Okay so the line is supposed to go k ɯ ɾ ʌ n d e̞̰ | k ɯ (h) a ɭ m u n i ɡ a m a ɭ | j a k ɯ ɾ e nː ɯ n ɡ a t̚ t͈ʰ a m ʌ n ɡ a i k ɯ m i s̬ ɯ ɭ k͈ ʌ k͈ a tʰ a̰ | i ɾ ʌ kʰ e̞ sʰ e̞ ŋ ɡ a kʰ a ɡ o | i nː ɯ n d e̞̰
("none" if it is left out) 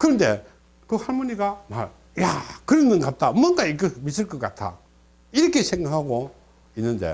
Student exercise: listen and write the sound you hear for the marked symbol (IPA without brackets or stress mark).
h